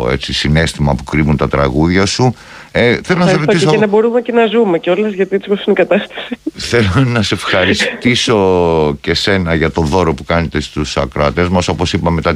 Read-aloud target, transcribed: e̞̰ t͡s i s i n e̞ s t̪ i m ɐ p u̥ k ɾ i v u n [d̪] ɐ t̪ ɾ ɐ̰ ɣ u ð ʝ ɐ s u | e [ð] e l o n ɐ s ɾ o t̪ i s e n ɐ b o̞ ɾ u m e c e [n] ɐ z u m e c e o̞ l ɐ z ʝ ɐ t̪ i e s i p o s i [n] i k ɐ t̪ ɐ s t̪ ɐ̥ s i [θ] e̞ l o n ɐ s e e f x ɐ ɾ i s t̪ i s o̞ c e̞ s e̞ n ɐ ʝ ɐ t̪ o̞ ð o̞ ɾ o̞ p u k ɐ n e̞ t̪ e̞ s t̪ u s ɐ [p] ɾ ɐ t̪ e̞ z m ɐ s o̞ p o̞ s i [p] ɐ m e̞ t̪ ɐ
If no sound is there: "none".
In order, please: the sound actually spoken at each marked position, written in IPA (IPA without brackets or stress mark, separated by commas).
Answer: t̪, θ, n, n, θ, k, p